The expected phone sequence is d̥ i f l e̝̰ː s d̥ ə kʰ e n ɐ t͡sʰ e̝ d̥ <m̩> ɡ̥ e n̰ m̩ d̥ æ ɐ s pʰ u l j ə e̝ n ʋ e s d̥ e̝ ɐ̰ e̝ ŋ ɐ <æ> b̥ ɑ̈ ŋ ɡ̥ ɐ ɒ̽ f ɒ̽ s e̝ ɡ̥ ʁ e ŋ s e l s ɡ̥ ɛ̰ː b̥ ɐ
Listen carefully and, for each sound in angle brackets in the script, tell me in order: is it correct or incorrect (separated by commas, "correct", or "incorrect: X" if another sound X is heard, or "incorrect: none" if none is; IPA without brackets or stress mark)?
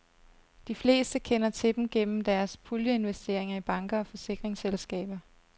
correct, incorrect: i